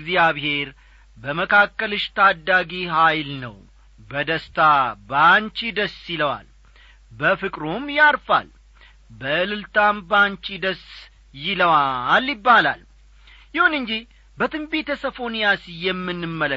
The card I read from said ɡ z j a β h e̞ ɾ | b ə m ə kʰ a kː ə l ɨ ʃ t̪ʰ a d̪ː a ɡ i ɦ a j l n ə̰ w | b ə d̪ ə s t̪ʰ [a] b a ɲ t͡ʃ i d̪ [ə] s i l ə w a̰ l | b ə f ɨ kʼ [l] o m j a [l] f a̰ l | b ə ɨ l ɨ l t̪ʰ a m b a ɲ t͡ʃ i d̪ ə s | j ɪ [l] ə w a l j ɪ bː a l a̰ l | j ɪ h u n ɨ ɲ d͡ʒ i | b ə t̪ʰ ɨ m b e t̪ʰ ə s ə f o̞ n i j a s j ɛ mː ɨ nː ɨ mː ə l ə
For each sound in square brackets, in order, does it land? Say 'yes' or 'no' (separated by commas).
yes, yes, no, no, yes